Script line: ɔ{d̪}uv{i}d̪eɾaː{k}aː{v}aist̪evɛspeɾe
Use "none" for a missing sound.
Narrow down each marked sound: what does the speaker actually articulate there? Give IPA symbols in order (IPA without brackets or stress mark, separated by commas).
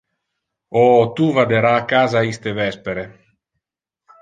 t̪, a, k, z